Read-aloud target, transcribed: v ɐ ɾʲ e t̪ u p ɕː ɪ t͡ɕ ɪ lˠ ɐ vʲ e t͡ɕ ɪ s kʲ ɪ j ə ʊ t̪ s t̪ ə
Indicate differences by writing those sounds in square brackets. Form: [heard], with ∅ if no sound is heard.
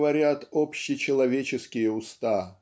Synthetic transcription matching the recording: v ɐ ɾʲ [a] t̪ [o] p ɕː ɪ t͡ɕ ɪ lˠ ɐ vʲ e t͡ɕ ɪ s kʲ ɪ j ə ʊ [∅] s t̪ [a]